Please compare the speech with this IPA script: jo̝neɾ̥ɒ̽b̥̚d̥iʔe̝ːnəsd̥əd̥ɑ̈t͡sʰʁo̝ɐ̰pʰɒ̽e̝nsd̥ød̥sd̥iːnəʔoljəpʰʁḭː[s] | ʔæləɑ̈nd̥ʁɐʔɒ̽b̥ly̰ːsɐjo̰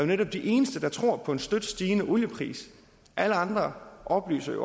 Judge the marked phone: correct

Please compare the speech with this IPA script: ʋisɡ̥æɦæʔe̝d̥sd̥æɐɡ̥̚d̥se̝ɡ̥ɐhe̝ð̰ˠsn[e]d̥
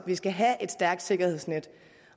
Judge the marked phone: correct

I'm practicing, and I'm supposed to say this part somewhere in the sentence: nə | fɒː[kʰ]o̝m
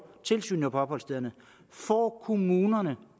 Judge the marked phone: correct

